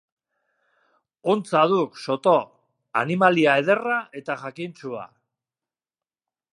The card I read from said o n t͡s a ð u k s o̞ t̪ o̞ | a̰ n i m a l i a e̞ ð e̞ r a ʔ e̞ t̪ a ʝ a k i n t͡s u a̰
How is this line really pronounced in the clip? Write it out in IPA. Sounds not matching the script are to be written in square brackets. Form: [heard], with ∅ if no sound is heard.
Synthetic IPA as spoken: o n t͡s a ð u k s o̞ t̪ o̞ | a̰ n i m a l i a e̞ ð e̞ r a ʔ e̞ t̪ a ʝ a k i n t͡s u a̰

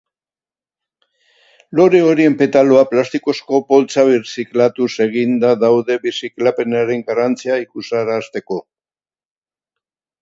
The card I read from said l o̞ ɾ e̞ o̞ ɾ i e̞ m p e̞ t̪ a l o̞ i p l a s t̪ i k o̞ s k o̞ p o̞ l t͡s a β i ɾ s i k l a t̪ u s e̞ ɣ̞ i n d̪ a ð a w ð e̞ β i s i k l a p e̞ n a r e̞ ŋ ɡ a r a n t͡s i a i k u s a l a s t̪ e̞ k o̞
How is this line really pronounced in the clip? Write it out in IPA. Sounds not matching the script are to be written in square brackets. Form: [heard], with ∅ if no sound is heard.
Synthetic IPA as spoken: l o̞ ɾ e̞ o̞ ɾ i e̞ m p e̞ t̪ a l o̞ [a] p l a s t̪ i k o̞ s k o̞ p o̞ l t͡s a β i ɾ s i k l a t̪ u s e̞ ɣ̞ i n d̪ a ð a w ð e̞ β i s i k l a p e̞ n a [ɾ] e̞ ŋ ɡ a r a n t͡s i a i k u s a [ɾ] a s t̪ e̞ k o̞

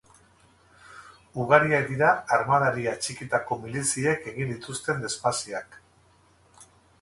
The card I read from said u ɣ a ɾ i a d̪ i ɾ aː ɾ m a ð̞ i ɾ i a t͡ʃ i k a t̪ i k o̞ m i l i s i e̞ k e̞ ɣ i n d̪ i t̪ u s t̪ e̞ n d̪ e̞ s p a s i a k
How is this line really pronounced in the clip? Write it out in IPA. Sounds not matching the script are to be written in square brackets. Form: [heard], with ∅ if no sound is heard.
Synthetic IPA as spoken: u ɣ a ɾ i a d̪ i ɾ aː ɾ m a ð̞ [a] ɾ i a t͡ʃ i k [i] t̪ [a] k o̞ m i l i s i e̞ k e̞ ɣ i n d̪ i t̪ u s t̪ e̞ n d̪ e̞ s p a s i a k

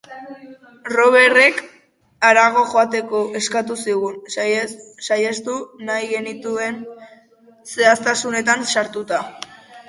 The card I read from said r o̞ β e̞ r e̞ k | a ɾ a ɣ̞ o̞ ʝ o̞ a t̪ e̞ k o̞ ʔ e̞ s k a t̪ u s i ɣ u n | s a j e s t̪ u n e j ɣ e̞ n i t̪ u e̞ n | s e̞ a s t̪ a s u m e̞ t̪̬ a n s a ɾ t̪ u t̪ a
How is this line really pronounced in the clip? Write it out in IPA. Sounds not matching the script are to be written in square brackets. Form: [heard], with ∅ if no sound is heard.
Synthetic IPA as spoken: r o̞ β e̞ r e̞ k | a ɾ a ɣ̞ o̞ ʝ o̞ a t̪ e̞ k o̞ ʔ e̞ s k a t̪ u s i ɣ u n | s a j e s t̪ u n [a] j ɣ e̞ n i t̪ u e̞ n | s e̞ a s t̪ a s u [n] e̞ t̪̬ a n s a ɾ t̪ u t̪ a

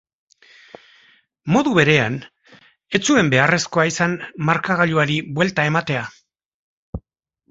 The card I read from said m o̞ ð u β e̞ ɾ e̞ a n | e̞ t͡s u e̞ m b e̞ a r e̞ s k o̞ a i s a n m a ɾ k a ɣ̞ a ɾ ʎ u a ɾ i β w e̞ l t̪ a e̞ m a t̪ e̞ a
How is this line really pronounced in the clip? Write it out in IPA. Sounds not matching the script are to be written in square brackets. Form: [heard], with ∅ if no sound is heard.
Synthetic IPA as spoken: m o̞ ð u β e̞ ɾ e̞ a n | e̞ t͡s u e̞ m b e̞ a r e̞ s k o̞ a i s a n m a ɾ k a ɣ̞ a [∅] ʎ u a ɾ i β w e̞ l t̪ a e̞ m a t̪ e̞ a

